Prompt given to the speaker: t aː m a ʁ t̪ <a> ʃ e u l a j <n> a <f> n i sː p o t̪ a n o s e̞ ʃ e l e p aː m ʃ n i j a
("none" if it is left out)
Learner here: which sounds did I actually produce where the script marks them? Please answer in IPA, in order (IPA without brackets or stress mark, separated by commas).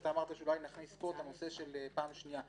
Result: a, n, χ